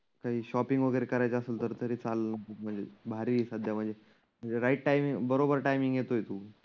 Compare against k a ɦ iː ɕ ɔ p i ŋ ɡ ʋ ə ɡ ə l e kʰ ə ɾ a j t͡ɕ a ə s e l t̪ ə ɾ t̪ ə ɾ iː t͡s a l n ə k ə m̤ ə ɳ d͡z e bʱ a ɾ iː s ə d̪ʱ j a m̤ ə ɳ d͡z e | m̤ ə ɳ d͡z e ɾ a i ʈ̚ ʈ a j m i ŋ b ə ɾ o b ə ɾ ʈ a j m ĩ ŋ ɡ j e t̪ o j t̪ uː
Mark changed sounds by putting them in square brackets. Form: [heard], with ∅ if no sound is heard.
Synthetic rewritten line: k a ɦ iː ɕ ɔ p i ŋ ɡ ʋ ə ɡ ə [ɾ] e [k] ə ɾ a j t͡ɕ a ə s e l t̪ ə ɾ t̪ ə ɾ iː t͡s a l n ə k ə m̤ ə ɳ d͡z e bʱ a ɾ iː s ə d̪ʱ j a m̤ ə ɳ d͡z e | m̤ ə ɳ d͡z e ɾ a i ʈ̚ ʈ a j m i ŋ b ə ɾ o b ə ɾ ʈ a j m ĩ ŋ ɡ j e t̪ o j t̪ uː